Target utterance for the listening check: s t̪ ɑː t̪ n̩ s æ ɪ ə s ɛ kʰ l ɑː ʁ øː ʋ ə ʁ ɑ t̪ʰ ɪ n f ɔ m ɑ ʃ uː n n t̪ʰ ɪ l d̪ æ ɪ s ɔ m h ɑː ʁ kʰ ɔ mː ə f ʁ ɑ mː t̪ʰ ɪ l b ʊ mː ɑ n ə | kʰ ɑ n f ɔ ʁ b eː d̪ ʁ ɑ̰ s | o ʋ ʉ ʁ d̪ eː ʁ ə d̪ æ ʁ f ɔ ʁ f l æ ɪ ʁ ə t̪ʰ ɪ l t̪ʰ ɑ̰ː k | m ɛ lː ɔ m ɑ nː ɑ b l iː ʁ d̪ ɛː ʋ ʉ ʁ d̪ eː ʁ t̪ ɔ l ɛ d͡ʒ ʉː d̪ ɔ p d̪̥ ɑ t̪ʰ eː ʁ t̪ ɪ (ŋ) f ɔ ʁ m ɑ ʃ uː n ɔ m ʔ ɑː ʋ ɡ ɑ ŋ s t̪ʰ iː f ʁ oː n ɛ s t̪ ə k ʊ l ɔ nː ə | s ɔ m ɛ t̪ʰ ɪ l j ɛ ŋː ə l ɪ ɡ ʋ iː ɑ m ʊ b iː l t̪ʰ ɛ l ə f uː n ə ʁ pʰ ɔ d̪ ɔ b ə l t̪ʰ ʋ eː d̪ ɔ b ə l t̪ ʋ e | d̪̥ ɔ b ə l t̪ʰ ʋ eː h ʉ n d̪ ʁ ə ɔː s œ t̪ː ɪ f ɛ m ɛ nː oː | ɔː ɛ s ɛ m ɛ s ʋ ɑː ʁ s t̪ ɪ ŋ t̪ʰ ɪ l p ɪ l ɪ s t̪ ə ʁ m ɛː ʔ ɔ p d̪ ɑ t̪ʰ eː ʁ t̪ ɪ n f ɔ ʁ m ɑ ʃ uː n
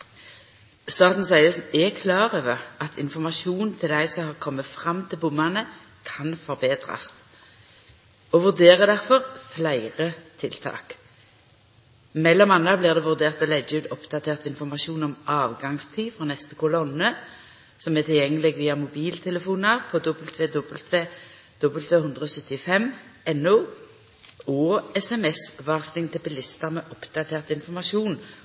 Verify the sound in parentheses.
incorrect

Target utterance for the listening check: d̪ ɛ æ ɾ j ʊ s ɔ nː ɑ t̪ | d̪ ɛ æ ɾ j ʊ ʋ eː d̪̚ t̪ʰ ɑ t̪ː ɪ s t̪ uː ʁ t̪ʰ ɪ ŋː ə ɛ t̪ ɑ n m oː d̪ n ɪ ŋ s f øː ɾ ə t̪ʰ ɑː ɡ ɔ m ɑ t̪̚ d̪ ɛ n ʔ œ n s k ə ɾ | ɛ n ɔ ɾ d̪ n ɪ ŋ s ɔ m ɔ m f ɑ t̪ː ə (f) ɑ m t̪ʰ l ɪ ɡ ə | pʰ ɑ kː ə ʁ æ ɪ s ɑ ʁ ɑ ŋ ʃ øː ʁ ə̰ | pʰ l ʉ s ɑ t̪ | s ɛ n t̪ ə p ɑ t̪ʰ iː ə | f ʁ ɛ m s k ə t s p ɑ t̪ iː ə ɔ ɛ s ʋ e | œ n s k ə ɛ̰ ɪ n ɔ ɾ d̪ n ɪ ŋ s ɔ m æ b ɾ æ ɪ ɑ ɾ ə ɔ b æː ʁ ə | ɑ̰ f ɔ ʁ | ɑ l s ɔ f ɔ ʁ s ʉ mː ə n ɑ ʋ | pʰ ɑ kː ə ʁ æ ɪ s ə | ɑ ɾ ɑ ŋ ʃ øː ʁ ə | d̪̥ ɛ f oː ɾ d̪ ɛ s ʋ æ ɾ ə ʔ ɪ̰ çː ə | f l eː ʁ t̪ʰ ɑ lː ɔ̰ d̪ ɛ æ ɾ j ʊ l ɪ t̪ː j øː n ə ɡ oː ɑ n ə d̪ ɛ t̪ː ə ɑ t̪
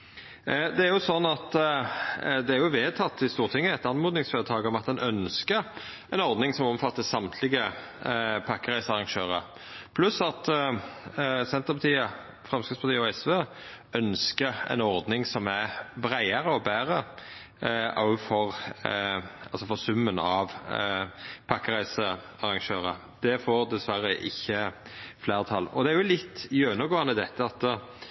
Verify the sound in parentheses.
incorrect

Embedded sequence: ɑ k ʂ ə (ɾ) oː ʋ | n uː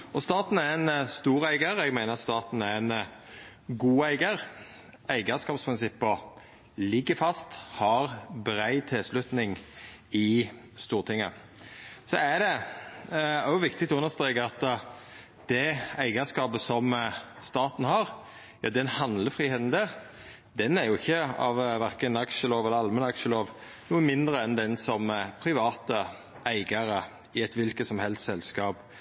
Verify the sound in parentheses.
incorrect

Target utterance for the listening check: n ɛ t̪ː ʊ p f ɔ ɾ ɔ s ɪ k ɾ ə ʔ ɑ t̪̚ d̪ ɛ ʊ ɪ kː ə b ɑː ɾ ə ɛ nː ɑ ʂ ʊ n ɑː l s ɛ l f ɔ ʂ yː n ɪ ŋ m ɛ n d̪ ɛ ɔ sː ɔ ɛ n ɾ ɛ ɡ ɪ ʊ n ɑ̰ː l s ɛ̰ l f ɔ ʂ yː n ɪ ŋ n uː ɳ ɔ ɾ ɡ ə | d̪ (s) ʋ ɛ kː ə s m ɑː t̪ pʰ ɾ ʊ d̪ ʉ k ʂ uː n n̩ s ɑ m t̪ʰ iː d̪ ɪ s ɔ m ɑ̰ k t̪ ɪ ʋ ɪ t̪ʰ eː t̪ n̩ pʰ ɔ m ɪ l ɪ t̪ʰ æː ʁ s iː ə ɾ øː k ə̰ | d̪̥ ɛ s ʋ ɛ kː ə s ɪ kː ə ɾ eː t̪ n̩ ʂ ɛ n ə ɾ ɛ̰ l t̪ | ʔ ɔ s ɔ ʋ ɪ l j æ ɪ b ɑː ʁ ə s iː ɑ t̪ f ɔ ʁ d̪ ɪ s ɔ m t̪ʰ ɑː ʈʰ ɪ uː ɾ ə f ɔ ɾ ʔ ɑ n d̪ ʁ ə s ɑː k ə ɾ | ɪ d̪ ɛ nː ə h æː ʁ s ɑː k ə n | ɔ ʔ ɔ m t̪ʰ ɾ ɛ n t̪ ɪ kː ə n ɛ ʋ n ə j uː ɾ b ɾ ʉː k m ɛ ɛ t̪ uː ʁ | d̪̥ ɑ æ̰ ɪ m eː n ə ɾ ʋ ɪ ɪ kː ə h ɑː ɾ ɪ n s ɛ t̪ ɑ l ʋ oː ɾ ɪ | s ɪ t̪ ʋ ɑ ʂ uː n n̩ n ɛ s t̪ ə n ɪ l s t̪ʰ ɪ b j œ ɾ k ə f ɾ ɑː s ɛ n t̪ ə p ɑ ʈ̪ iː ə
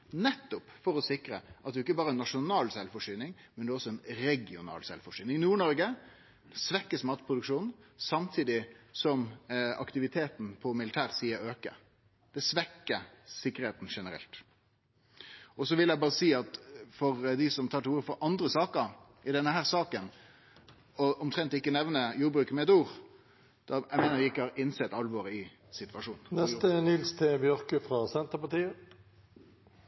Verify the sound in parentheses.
correct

